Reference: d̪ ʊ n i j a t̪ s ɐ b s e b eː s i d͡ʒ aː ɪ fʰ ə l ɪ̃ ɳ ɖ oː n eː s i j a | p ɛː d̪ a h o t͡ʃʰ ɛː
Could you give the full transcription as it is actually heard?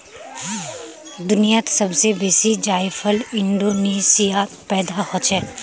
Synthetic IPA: d̪ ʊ n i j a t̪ s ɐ b s e b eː s i d͡ʒ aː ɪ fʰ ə l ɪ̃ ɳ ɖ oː n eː s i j a | p ɛː d̪ a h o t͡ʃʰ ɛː